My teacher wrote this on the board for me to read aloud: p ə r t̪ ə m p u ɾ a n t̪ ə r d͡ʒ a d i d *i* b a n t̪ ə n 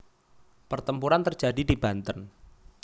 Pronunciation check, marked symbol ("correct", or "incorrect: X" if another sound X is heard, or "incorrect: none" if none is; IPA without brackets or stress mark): correct